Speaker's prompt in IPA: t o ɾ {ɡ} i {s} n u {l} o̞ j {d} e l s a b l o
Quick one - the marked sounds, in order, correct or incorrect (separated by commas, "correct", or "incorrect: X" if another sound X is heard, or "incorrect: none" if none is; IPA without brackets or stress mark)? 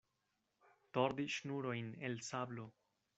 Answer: incorrect: d, incorrect: ʃ, incorrect: ɾ, incorrect: n